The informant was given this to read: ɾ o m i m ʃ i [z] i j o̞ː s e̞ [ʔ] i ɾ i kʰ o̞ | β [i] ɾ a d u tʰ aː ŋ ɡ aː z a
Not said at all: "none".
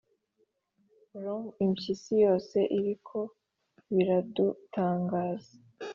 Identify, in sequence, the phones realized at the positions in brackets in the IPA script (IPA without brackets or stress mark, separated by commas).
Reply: s, ʔ, i